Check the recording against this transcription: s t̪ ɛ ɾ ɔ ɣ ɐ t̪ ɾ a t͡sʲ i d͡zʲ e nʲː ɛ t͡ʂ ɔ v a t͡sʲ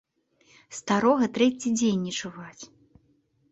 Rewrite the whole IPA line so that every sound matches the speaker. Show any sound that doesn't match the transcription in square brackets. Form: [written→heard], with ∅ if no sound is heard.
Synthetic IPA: s t̪ [ɛ→a] ɾ ɔ ɣ ɐ t̪ ɾ [a→ɛ] t͡sʲ i d͡zʲ e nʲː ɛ t͡ʂ [ɔ→u] v a t͡sʲ